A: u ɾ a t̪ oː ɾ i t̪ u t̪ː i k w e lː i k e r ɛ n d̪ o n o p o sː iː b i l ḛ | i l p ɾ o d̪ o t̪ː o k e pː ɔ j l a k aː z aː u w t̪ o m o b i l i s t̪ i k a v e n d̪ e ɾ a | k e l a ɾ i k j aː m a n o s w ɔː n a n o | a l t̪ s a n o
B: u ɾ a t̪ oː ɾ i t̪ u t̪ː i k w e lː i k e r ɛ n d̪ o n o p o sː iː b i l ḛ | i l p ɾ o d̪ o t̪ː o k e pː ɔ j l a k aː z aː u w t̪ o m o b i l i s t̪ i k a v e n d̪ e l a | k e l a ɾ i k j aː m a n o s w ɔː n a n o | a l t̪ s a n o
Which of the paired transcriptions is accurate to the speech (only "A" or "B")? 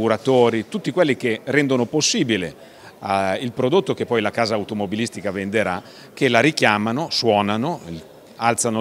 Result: A